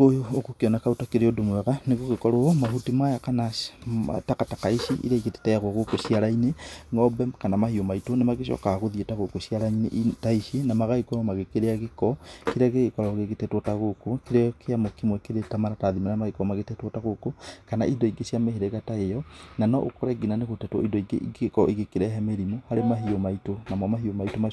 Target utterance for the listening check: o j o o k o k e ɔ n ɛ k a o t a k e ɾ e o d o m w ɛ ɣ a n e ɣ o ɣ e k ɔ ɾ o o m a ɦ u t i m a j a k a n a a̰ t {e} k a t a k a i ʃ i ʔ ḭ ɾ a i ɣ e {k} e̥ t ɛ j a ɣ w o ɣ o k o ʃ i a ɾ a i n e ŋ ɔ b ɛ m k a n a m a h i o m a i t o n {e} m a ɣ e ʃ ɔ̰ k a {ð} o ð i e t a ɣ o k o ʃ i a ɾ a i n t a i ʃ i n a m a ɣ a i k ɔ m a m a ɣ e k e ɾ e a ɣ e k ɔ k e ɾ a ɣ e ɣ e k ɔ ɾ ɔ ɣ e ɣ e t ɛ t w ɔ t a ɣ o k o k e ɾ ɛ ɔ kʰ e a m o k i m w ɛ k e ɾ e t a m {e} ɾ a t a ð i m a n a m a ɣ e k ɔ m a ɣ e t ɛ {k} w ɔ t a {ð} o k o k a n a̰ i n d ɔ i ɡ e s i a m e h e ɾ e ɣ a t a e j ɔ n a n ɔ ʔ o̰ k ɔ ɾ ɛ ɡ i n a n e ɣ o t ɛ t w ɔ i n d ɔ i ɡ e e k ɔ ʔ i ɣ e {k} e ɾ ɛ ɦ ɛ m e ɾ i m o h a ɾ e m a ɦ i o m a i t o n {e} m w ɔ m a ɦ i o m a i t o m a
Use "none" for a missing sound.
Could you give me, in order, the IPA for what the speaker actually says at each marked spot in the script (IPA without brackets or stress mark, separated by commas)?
a, t, e, ɣ, a, t, ɣ, k, a